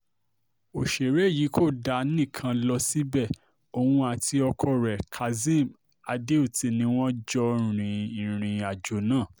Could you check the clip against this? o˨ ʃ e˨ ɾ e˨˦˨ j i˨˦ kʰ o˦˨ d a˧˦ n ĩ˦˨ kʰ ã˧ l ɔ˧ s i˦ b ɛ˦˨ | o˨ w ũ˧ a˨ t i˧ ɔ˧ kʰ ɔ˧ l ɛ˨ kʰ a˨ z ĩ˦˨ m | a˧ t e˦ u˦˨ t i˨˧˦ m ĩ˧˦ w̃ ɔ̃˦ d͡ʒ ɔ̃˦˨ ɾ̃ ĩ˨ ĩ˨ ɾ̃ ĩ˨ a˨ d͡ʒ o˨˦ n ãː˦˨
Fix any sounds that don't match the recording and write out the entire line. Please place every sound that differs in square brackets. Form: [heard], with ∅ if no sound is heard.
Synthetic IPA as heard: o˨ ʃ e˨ ɾ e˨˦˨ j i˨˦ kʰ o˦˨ d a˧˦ n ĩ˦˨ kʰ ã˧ l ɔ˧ s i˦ b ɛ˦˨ | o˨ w ũ˧ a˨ t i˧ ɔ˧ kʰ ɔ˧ [ɾ] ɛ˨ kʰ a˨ z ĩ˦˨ m | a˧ [d] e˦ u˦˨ t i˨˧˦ [n] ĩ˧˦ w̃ ɔ̃˦ d͡ʒ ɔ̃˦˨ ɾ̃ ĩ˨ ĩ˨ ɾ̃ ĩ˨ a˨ d͡ʒ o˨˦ n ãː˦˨